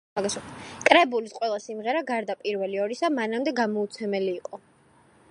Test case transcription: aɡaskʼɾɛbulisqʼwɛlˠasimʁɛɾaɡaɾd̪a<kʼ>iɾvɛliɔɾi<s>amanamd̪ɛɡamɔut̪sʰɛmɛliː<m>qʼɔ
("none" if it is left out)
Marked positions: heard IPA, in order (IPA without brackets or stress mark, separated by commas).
pʼ, s, none